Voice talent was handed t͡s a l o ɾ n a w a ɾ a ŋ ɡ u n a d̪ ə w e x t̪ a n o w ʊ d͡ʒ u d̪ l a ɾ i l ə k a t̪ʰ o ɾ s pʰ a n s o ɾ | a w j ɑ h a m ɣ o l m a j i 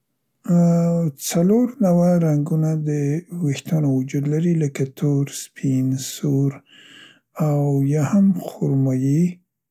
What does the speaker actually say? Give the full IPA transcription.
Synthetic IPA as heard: t͡s a l o ɾ n a w a ɾ a ŋ ɡ u n a d̪ ə w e x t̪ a n o w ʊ d͡ʒ u d̪ l a ɾ i l ə k a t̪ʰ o ɾ s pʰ i n s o ɾ | a w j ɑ h a m x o ɾ m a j i